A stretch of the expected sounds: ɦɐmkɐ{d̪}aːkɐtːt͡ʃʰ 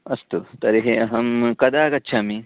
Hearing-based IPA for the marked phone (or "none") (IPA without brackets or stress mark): d̪